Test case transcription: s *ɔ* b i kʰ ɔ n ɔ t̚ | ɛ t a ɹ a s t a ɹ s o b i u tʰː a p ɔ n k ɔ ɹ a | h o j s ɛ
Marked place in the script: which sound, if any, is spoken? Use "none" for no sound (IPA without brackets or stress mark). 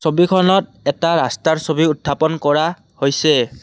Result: o